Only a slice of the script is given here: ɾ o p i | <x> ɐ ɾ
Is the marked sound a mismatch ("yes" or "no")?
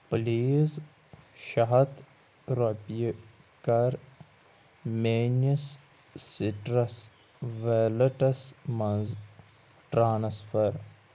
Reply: yes